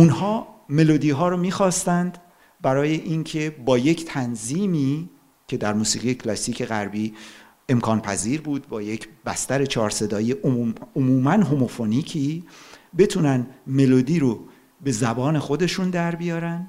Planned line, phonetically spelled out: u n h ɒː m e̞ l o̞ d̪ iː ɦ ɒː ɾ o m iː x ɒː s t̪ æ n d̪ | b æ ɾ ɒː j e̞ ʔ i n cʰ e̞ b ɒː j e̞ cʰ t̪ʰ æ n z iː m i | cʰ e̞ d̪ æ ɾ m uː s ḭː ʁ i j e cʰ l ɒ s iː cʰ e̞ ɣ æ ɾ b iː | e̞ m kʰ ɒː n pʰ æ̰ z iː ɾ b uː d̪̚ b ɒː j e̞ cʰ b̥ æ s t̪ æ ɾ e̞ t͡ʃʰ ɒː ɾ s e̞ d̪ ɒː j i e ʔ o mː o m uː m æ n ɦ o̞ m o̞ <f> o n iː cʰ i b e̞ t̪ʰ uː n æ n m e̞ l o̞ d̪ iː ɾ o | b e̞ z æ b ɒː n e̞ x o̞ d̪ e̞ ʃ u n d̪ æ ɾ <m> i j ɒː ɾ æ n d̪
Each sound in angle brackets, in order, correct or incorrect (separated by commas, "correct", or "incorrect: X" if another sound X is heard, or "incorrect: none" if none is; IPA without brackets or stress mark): correct, incorrect: b